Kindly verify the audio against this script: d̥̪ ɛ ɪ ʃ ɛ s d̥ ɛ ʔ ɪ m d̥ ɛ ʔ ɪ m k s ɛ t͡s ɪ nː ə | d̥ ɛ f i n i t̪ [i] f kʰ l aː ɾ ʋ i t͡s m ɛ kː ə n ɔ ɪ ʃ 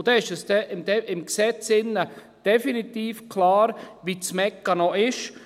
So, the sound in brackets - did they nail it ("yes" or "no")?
no